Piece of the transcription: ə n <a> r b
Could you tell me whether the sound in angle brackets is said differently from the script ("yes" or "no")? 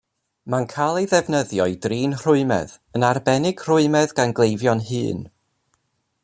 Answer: no